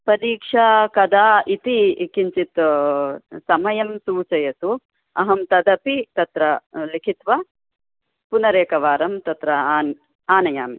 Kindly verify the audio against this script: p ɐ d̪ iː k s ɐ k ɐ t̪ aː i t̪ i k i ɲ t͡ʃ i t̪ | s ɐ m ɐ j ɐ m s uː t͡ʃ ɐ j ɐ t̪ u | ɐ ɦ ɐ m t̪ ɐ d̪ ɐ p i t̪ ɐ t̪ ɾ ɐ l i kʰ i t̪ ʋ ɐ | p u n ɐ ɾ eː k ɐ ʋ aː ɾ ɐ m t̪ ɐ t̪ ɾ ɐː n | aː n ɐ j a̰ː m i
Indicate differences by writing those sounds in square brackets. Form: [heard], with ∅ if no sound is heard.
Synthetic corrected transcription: p ɐ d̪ iː k [ʂ] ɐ k ɐ [d̪] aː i t̪ i k i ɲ t͡ʃ i t̪ | s ɐ m ɐ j ɐ m s uː t͡ʃ ɐ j ɐ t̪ u | ɐ ɦ ɐ m t̪ ɐ d̪ ɐ p i t̪ ɐ t̪ ɾ ɐ l i kʰ i t̪ ʋ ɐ | p u n ɐ ɾ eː k ɐ ʋ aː ɾ ɐ m t̪ ɐ t̪ ɾ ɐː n | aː n ɐ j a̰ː m i